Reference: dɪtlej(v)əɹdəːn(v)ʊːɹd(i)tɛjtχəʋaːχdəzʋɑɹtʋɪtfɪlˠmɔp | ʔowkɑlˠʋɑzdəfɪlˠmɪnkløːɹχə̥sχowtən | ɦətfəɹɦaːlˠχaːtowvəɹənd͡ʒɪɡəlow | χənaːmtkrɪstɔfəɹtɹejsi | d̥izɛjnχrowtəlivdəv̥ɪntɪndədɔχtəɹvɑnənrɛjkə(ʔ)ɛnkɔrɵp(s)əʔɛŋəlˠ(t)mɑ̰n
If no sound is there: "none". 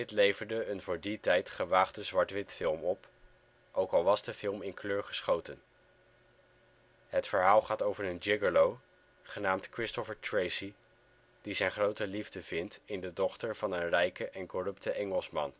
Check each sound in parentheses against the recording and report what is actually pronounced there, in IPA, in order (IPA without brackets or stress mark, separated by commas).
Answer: v, v, i, ʔ, t, s